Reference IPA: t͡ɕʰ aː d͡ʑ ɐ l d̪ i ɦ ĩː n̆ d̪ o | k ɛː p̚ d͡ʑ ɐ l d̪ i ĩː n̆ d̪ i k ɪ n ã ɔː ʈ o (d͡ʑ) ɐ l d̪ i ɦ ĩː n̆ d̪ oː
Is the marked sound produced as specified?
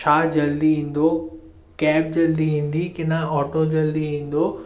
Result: yes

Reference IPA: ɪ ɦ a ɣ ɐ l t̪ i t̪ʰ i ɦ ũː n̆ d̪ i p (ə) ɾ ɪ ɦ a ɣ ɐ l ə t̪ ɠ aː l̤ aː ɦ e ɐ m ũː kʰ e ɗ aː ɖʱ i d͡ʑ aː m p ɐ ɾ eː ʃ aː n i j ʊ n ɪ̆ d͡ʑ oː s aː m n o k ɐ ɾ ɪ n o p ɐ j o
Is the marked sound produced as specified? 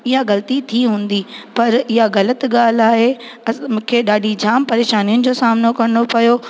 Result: no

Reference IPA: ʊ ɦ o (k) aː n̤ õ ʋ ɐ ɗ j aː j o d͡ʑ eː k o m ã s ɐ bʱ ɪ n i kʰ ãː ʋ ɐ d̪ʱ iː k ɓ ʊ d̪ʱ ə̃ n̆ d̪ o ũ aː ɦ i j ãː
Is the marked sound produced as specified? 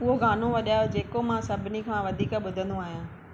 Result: no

